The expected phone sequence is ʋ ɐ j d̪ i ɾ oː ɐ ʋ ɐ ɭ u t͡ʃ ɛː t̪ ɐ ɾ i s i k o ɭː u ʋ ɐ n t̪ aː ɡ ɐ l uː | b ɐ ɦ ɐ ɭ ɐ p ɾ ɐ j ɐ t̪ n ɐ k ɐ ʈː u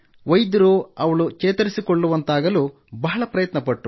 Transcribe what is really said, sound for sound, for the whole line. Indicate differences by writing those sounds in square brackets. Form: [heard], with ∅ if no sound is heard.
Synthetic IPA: ʋ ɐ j d̪ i ɾ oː ɐ ʋ ɐ ɭ u t͡ʃ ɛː t̪ ɐ ɾ i s i k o ɭː u ʋ ɐ n t̪ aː ɡ ɐ l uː | b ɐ ɦ ɐ ɭ ɐ p ɾ ɐ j ɐ t̪ n ɐ [p] ɐ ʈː u